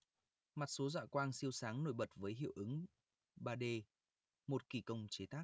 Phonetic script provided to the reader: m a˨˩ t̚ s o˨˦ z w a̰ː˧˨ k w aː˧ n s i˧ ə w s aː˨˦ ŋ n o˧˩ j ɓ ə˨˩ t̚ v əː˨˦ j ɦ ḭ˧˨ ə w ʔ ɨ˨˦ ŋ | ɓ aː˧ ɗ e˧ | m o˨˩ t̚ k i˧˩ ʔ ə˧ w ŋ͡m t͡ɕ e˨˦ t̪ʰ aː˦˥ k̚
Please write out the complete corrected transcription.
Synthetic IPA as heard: m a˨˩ t̚ s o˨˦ z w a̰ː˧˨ k w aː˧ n s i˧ ə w s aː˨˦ ŋ n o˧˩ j ɓ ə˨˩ t̚ v əː˨˦ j ɦ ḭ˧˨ ə w ʔ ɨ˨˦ ŋ | ɓ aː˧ ɗ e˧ | m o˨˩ t̚ k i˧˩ k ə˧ w ŋ͡m t͡ɕ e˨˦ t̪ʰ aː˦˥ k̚

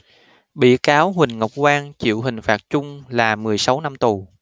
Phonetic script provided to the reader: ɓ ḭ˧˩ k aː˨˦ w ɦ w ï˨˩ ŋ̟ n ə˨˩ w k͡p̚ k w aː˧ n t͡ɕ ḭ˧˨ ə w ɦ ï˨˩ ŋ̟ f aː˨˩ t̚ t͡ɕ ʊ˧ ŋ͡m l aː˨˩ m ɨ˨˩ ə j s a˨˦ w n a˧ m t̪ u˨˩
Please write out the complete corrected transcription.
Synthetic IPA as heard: ɓ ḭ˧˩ k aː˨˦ w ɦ w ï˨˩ ŋ̟ ŋ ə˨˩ w k͡p̚ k w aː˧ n t͡ɕ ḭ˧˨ ə w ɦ ï˨˩ ŋ̟ f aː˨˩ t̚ t͡ɕ ʊ˧ ŋ͡m l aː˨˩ m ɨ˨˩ ə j s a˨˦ w n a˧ m t̪ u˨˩

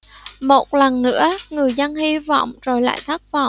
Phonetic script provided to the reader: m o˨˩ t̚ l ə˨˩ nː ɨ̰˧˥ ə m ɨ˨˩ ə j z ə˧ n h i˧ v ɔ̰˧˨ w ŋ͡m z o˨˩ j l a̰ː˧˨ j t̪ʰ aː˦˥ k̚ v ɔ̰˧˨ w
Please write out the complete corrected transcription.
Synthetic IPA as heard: m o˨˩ t̚ l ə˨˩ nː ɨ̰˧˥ ə ŋ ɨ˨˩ ə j z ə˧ n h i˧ v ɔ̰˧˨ w ŋ͡m z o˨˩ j l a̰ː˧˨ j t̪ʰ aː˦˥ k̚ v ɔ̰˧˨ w

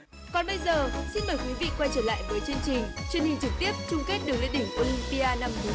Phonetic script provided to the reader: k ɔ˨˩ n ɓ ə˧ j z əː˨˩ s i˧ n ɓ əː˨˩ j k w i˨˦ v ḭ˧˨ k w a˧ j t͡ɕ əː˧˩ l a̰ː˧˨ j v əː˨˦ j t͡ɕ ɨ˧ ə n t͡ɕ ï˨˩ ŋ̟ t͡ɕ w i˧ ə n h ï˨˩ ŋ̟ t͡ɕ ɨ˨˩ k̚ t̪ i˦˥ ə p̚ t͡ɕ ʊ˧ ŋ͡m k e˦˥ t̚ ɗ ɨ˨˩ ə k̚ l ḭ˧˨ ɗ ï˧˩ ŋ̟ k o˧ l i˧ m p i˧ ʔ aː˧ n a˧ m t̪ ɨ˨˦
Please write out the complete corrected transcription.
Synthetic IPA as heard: k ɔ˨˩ n ɓ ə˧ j z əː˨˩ s i˧ n ɓ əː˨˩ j k w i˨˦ v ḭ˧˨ k w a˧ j t͡ɕ əː˧˩ l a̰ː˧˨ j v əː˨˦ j t͡ɕ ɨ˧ ə n t͡ɕ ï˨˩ ŋ̟ t͡ɕ w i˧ ə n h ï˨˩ ŋ̟ t͡ɕ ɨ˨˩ k̚ t̪ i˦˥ ə p̚ t͡ɕ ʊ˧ ŋ͡m k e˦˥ t̚ ɗ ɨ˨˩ ə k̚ l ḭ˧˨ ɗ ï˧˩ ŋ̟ ʔ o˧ l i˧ m p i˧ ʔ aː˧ n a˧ m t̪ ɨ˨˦

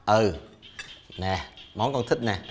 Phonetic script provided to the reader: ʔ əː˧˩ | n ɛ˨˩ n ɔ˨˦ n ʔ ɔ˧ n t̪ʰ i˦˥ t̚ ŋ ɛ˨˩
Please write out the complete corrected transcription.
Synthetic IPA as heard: ʔ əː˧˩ | n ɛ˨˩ m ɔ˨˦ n k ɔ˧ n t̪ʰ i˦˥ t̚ n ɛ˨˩

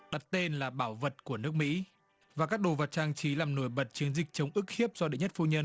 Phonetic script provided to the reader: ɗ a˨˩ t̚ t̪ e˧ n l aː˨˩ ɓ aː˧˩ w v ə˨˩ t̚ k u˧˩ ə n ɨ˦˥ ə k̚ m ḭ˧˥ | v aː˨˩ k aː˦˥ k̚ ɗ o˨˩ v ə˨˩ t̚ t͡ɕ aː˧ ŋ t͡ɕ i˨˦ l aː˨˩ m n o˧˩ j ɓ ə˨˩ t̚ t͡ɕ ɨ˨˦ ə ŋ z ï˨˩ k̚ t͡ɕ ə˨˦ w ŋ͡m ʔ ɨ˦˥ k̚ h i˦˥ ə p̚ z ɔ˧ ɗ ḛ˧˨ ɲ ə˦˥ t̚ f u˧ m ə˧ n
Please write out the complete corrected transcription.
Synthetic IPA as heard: ɗ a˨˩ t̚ t̪ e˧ n l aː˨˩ ɓ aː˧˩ w v ə˨˩ t̚ k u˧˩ ə n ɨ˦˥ ə k̚ m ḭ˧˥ | v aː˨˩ k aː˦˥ k̚ ɗ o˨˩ v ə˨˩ t̚ t͡ɕ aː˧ ŋ t͡ɕ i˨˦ l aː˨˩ m n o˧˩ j ɓ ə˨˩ t̚ t͡ɕ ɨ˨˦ ə ŋ z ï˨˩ k̚ t͡ɕ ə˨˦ w ŋ͡m ʔ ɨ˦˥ k̚ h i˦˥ ə p̚ z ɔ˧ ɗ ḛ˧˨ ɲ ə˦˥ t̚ f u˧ ɲ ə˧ n

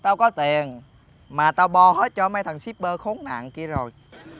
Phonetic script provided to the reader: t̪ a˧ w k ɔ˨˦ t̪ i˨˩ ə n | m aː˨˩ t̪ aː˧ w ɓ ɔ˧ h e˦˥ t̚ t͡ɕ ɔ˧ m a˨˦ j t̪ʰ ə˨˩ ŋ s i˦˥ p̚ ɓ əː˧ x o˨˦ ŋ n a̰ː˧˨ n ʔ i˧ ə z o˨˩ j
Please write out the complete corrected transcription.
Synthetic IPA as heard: t̪ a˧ w k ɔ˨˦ t̪ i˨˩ ə n | m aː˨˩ t̪ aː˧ w ɓ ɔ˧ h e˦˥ t̚ t͡ɕ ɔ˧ m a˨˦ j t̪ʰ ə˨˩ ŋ s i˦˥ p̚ ɓ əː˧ x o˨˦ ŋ n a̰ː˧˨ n k i˧ ə z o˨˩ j

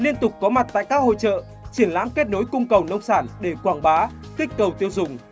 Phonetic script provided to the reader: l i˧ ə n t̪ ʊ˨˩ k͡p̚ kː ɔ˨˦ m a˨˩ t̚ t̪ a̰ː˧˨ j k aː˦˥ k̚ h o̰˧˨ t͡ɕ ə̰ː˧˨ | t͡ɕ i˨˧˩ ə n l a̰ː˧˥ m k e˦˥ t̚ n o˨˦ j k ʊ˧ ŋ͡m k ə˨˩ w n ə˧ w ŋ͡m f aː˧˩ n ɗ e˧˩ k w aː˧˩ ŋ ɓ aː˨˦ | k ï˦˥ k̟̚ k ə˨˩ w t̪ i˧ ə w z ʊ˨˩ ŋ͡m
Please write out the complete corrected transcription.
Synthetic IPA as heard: l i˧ ə n t̪ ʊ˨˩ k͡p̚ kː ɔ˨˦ m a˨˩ t̚ t̪ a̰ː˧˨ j k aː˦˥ k̚ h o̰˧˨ t͡ɕ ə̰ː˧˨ | t͡ɕ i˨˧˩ ə n l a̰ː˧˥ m k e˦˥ t̚ n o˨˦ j k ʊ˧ ŋ͡m k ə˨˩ w n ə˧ w ŋ͡m s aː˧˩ n ɗ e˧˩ k w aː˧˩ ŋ ɓ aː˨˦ | k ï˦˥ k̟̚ k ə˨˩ w t̪ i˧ ə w z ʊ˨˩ ŋ͡m

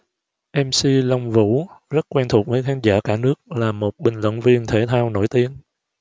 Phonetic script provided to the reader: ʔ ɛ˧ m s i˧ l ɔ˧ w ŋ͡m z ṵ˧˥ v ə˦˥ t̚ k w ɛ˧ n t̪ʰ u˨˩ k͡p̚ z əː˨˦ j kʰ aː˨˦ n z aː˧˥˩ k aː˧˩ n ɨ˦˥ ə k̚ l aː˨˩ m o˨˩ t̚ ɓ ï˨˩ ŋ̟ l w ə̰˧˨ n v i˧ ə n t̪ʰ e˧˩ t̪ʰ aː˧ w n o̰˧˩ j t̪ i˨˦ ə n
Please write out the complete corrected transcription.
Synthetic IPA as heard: ʔ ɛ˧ m s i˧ l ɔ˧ w ŋ͡m v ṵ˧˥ z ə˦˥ t̚ k w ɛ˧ n t̪ʰ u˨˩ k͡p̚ v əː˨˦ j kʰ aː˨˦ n z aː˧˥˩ k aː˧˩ n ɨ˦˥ ə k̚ l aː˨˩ m o˨˩ t̚ ɓ ï˨˩ ŋ̟ l w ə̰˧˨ n v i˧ ə n t̪ʰ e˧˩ t̪ʰ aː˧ w n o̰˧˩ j t̪ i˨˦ ə n

